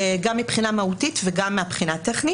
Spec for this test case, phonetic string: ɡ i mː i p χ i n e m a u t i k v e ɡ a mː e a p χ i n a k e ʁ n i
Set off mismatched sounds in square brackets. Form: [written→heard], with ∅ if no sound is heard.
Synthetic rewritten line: ɡ [i→a] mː i p χ i n [e→a] m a u t i [k→t] v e ɡ a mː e a p χ i n a [k→t] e [ʁ→χ] n i